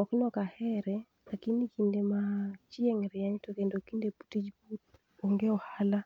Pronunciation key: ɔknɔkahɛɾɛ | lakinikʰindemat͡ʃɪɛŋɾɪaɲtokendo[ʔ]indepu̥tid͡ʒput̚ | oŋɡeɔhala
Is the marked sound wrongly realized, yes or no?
yes